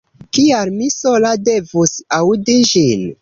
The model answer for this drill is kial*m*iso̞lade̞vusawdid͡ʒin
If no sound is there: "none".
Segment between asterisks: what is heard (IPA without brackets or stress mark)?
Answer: m